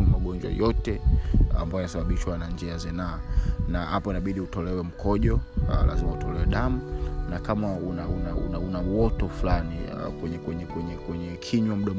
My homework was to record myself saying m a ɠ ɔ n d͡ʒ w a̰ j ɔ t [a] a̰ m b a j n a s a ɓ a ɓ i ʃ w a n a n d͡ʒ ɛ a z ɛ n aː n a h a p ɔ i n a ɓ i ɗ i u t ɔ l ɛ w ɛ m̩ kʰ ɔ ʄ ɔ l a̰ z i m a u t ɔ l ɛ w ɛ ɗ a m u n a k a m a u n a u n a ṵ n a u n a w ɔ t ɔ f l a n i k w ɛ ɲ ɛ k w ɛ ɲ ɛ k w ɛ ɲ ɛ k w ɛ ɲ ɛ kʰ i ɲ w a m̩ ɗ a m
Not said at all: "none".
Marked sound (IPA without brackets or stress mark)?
ɛ